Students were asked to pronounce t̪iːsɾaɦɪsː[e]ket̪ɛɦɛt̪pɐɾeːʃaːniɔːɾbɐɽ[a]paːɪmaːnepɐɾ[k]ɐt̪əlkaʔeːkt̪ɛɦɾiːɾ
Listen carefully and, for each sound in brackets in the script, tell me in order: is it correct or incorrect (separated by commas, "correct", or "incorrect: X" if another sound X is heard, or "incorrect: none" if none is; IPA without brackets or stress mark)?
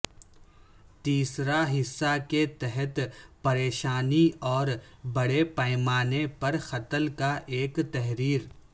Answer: incorrect: a, incorrect: e, incorrect: x